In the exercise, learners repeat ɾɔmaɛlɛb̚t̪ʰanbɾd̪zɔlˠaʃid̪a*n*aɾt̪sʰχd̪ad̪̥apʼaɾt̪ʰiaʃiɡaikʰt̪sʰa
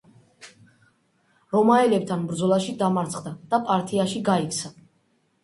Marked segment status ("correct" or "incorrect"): incorrect